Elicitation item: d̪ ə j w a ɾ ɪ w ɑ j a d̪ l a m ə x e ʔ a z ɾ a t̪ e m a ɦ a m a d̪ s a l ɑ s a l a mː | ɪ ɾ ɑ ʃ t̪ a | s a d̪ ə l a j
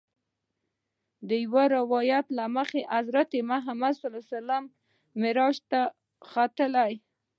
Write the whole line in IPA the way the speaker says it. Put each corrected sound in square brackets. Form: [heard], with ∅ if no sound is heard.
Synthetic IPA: d̪ ə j w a ɾ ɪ w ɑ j a [t̪] l a m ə x e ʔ a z ɾ a t̪ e m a ɦ a m a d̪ s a l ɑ s a l a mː | ɪ ɾ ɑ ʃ t̪ a | [x] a [t̪] ə l a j

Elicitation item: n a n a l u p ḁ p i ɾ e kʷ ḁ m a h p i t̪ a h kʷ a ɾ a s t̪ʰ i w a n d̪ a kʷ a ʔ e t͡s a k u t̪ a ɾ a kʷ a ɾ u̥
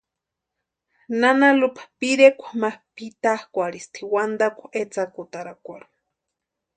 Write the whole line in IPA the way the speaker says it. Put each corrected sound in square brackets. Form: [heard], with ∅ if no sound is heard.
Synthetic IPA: n a n a l u p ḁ p i ɾ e kʷ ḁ m a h p i t̪ a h kʷ a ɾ [i] s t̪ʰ i w a n d̪ a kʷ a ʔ e t͡s a k u t̪ a ɾ a kʷ a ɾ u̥

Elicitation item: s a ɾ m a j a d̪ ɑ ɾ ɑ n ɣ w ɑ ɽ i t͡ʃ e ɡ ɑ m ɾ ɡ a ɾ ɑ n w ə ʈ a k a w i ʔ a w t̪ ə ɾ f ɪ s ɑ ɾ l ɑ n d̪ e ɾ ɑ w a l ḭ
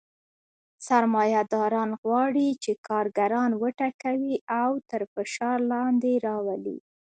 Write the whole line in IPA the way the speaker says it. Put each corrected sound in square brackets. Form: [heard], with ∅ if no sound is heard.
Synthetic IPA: s a ɾ m [ɑ] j a d̪ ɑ ɾ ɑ n ɣ w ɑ ɽ i t͡ʃ e [k] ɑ [∅] ɾ ɡ a ɾ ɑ n w ə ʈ a k a w i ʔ a w t̪ ə ɾ f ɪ [ʃ] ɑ ɾ l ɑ n d̪ e ɾ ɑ w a l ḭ

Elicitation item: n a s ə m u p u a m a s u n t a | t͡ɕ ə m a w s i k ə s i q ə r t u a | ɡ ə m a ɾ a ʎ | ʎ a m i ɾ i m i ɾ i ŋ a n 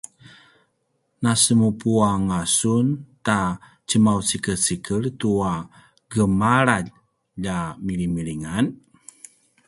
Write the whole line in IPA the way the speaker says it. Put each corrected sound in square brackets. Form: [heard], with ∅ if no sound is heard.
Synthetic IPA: n a s ə m u p u a [ŋ] a s u n t a | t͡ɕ ə m a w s i k ə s i [k] ə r t u a | ɡ ə m a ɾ a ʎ | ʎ a m i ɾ i m i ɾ i ŋ a n

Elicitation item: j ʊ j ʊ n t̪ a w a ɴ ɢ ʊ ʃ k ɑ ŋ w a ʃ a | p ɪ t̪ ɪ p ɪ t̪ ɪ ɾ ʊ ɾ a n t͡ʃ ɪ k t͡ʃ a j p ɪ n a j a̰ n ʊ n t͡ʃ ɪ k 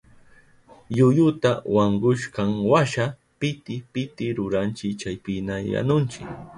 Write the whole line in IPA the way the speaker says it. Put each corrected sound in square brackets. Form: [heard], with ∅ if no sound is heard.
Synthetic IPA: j ʊ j ʊ [∅] t̪ a w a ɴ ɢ ʊ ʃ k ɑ ŋ w a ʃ a | p ɪ t̪ ɪ p ɪ t̪ ɪ ɾ ʊ ɾ a n t͡ʃ ɪ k t͡ʃ a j p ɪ n a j a̰ n ʊ n t͡ʃ ɪ k

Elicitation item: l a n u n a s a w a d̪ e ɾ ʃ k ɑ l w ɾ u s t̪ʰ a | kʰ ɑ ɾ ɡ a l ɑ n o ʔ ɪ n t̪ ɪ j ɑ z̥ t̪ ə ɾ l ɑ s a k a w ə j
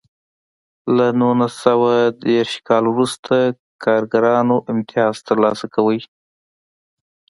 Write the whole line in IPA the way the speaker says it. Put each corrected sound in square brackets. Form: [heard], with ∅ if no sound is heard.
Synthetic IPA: l a n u n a s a w a d̪ e ɾ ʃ k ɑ l w ɾ u s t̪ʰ a | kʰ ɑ ɾ ɡ a [ɾ] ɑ n o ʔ ɪ [m] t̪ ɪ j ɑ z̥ t̪ ə ɾ l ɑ s a k a w ə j

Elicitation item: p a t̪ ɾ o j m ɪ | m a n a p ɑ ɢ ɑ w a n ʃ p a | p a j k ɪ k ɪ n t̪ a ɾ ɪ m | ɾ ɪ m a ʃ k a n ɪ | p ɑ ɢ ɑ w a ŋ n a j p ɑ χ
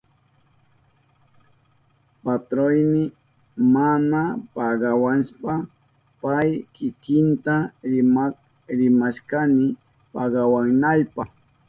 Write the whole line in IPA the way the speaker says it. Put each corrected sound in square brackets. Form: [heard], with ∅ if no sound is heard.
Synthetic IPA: p a t̪ ɾ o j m ɪ | m a n a p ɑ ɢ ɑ w a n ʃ p a | p a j k ɪ k ɪ n t̪ a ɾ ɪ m | ɾ ɪ m a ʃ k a n ɪ | p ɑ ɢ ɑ w a ŋ n a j p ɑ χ

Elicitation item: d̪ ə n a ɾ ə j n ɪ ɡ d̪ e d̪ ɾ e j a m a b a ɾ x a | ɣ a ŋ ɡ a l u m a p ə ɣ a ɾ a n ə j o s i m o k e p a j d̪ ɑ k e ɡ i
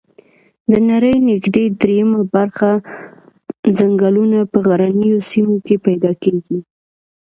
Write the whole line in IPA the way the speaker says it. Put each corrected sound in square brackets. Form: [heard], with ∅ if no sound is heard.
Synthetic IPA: d̪ ə n a ɾ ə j n ɪ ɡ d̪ e d̪ ɾ e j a m a b a ɾ x a | [z] a ŋ ɡ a l u [n] a p ə ɣ a ɾ a n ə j o s i m o k e p a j d̪ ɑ k e ɡ i

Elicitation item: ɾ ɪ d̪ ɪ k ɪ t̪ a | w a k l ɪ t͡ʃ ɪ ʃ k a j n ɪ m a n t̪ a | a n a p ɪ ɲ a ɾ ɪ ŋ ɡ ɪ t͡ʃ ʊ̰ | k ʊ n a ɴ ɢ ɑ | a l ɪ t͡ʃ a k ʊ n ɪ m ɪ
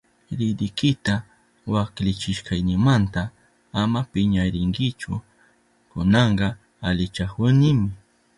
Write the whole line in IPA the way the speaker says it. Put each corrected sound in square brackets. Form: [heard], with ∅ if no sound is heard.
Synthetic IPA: ɾ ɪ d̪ ɪ k ɪ t̪ a | w a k l ɪ t͡ʃ ɪ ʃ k a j n ɪ m a n t̪ a | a [m] a p ɪ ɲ a ɾ ɪ ŋ ɡ ɪ t͡ʃ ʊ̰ | k ʊ n [ɑ] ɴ ɢ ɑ | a l ɪ t͡ʃ a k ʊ n ɪ m ɪ

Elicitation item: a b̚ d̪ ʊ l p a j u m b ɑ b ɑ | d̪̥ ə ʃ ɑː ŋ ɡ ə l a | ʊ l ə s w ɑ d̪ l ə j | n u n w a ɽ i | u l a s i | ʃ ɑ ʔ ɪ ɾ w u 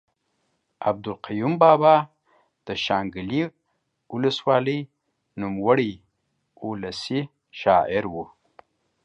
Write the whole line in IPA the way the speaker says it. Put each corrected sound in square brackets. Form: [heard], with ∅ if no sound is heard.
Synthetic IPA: a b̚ d̪ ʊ l [q] a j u m b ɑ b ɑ | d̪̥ ə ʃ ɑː ŋ ɡ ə l [i] | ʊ l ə s w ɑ [∅] l ə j | n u [m] w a ɽ i | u l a s i | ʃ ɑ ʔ ɪ ɾ w u

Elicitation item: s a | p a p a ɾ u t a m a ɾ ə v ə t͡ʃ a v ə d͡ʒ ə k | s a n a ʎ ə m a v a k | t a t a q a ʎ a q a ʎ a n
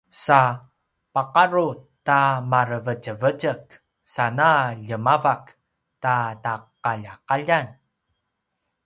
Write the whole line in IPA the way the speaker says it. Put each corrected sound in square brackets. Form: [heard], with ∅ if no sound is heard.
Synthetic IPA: s a | p a [q] a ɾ u t a m a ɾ ə v ə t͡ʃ [ə] v ə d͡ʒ ə k | s a n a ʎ ə m a v a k | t a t a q a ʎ a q a ʎ a n

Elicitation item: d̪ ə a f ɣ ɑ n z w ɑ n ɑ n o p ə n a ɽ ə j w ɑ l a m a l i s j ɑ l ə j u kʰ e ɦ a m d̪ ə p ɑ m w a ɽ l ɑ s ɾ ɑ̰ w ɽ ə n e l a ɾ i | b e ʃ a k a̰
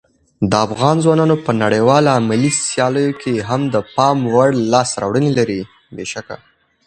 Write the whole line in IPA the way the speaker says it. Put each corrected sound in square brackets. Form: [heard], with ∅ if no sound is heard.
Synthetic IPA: d̪ ə a f ɣ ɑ n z w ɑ n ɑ n o p ə n a ɽ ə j w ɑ l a m a l i s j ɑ l ə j [o] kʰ e ɦ a m d̪ ə p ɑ m w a ɽ l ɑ s ɾ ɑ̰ w ɽ ə n e l a ɾ i | b e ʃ a k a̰

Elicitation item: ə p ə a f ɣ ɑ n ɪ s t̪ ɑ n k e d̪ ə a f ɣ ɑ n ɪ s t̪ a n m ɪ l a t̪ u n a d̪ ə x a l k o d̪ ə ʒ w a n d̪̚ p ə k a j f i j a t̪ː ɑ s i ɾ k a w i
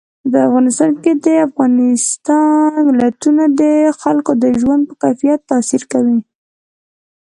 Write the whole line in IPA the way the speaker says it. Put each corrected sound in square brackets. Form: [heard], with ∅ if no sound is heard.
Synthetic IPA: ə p ə a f ɣ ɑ n ɪ s t̪ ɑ n k e d̪ ə a f ɣ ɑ n ɪ s t̪ [ɑ] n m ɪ l a t̪ u n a d̪ ə x a l k o d̪ ə ʒ w a n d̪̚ p ə k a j f i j a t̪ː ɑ s i ɾ k a w i

